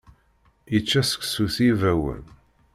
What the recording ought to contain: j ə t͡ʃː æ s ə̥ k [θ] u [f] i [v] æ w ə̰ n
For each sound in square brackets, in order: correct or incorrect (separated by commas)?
incorrect, incorrect, correct